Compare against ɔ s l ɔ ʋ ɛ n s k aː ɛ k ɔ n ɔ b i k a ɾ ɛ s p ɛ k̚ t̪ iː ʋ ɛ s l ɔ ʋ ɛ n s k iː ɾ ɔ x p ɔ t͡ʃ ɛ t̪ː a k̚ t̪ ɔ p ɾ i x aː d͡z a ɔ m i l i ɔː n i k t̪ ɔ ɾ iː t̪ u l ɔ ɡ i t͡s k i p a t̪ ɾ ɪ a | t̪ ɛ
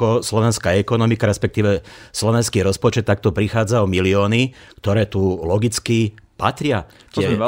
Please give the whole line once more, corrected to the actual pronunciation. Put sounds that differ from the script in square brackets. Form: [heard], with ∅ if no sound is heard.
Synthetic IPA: ɔ s l ɔ ʋ ɛ n s k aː ɛ k ɔ n ɔ [m] i k a ɾ ɛ s p ɛ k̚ t̪ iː ʋ ɛ s l ɔ ʋ ɛ n s k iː ɾ ɔ [s] p ɔ t͡ʃ ɛ t̪ː a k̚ t̪ ɔ p ɾ i x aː d͡z a ɔ m i l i ɔː n i k t̪ ɔ ɾ [ɛː] t̪ u l ɔ ɡ i t͡s k i p a t̪ ɾ ɪ a | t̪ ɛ